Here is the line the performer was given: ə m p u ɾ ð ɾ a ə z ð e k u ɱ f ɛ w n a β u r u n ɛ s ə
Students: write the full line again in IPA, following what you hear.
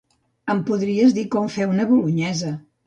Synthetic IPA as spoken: ə m p u ð ɾ i ə z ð i k ɔ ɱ f ɛ w n ə β u l u ɲ ɛ z ə